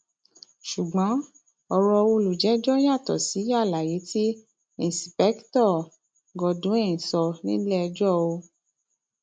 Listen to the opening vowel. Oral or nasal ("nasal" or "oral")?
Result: oral